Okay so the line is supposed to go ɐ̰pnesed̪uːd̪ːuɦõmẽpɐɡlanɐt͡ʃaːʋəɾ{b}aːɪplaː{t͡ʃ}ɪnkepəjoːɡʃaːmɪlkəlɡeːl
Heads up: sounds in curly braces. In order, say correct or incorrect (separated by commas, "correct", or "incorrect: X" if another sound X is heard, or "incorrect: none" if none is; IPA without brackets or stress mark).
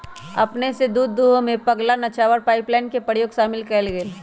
incorrect: p, incorrect: none